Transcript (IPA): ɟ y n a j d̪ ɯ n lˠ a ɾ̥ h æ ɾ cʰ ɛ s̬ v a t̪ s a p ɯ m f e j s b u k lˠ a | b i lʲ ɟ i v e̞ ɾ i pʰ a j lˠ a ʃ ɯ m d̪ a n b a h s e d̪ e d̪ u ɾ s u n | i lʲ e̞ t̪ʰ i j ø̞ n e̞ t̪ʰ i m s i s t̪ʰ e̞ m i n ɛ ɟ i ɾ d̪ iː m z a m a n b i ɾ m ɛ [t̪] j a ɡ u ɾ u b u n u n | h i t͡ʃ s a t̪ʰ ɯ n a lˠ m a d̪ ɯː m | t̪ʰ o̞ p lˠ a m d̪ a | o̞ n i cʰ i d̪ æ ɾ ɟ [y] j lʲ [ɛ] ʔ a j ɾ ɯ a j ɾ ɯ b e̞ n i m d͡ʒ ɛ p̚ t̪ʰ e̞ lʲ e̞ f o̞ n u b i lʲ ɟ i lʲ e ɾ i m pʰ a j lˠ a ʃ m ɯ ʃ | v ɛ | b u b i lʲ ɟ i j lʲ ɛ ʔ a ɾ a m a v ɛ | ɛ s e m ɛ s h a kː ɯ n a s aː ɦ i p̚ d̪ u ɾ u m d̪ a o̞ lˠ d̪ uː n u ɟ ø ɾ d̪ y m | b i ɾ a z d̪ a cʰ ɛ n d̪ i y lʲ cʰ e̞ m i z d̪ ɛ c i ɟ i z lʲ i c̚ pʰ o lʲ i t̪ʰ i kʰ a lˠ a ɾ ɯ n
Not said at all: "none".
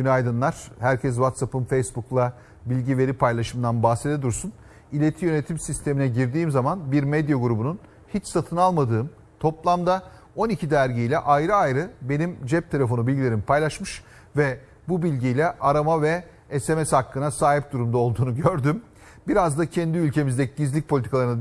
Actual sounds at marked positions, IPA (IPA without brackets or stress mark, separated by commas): d̪, i, ɛ